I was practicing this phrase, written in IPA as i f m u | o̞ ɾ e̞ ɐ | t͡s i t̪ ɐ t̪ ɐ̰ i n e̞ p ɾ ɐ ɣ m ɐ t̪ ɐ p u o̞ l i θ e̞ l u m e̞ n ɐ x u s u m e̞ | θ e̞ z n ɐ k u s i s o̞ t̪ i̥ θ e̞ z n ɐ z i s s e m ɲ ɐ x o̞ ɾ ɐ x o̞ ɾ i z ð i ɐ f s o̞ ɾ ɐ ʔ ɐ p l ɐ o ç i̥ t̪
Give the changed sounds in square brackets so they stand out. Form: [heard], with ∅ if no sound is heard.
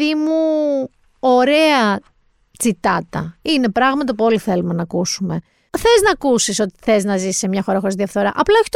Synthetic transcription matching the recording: i [∅] m u | o̞ ɾ e̞ ɐ | t͡s i t̪ ɐ t̪ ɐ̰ i n e̞ p ɾ ɐ ɣ m ɐ t̪ ɐ p u o̞ l i θ e̞ l u m e̞ n ɐ [k] u s u m e̞ | θ e̞ z n ɐ k u s i s o̞ t̪ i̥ θ e̞ z n ɐ z i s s e m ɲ ɐ x o̞ ɾ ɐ x o̞ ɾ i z ð i ɐ f [θ] o̞ ɾ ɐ ʔ ɐ p l ɐ o ç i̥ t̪